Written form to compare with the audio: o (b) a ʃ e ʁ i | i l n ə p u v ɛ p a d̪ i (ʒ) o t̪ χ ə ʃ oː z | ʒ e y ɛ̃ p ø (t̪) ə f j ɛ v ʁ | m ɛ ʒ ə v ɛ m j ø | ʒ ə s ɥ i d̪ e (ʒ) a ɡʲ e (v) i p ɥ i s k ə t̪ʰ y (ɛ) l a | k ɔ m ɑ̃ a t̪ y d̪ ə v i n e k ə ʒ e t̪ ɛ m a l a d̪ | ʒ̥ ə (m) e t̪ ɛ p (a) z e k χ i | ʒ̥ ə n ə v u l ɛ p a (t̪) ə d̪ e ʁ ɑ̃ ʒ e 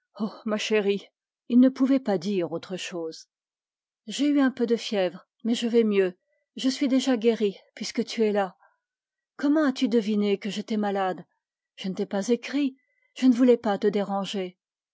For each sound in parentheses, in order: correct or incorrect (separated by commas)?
incorrect, incorrect, incorrect, correct, incorrect, correct, incorrect, correct, correct